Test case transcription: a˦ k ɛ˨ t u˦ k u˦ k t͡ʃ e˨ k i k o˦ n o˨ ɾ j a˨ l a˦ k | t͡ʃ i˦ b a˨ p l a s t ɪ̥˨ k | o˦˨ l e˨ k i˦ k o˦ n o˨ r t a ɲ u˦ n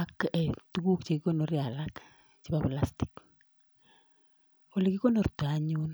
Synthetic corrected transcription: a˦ k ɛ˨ t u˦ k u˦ k t͡ʃ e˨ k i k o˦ n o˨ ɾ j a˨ l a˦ k | t͡ʃ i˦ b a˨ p l a s t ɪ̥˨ k | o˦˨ l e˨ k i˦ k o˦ n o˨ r t a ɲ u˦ n